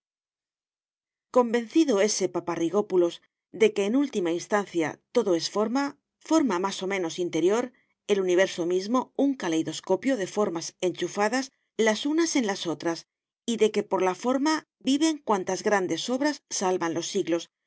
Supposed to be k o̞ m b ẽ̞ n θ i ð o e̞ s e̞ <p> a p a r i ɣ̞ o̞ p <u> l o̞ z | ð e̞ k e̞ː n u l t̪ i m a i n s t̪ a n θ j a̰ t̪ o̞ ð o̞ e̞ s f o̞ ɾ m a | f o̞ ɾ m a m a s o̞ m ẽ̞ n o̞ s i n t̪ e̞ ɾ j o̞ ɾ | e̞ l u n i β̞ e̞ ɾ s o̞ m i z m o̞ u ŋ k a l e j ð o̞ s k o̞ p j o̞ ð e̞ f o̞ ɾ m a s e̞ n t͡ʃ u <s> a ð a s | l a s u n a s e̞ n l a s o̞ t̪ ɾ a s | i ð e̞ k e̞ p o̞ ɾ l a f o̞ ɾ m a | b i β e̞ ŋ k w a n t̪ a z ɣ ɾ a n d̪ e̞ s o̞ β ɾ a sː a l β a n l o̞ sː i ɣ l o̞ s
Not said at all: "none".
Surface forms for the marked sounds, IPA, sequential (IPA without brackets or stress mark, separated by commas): p, u, f